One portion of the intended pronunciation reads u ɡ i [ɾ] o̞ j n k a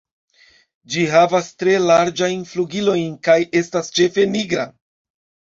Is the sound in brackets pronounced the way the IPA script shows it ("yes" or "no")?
no